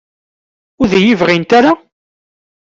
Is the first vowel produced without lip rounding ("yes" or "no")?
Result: no